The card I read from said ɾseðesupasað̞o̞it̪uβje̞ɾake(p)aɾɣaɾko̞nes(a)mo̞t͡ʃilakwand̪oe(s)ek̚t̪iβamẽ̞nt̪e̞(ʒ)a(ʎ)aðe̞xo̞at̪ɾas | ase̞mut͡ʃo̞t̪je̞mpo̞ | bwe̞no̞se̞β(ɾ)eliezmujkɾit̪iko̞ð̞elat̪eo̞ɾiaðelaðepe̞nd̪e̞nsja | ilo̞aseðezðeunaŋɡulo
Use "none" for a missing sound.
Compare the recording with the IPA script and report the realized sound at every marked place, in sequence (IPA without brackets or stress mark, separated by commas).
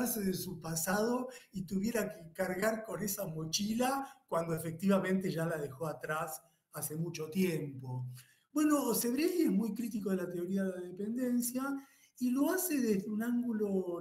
k, a, f, ʒ, l, ɾ